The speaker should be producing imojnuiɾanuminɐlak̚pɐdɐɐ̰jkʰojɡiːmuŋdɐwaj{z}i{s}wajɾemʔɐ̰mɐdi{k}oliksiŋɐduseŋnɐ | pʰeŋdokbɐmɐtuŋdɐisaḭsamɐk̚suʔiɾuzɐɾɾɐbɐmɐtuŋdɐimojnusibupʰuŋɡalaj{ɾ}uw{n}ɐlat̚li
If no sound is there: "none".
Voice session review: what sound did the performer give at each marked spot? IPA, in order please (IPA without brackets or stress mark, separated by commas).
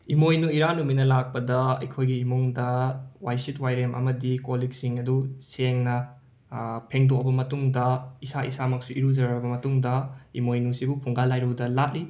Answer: s, t, k, ɾ, d